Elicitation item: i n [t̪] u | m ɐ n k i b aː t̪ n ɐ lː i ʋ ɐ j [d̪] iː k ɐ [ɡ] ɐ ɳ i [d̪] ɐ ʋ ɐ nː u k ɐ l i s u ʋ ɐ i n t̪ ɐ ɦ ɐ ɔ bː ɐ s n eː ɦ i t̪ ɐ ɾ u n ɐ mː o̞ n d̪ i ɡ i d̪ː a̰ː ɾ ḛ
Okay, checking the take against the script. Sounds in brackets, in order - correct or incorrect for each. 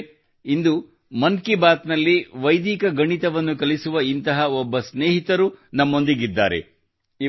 incorrect: d̪, correct, correct, incorrect: t̪

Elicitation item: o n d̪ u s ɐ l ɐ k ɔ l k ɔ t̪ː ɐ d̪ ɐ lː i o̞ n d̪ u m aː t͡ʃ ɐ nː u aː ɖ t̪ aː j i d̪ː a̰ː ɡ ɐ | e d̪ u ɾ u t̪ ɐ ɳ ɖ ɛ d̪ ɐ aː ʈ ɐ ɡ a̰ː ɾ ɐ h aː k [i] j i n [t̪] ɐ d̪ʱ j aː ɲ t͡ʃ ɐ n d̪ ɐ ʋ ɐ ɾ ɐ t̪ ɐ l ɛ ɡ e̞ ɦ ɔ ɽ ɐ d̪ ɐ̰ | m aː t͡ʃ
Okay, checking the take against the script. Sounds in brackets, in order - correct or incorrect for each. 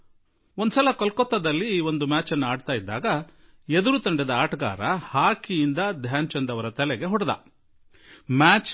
correct, incorrect: d̪

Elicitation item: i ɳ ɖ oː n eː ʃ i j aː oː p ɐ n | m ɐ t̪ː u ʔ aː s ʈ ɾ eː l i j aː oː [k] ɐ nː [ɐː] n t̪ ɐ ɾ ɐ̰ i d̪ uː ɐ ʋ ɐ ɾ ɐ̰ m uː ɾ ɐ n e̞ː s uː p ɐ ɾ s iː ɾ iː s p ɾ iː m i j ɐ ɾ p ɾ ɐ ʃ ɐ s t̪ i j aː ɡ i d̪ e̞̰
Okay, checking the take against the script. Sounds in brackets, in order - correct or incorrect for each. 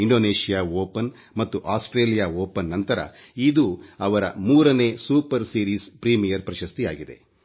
incorrect: p, incorrect: ɐ

